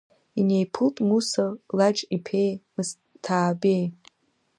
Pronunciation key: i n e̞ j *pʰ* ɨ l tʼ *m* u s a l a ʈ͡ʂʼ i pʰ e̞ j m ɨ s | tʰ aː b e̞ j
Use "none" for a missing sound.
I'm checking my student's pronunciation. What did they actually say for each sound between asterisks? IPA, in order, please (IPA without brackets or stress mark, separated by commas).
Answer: pʰ, m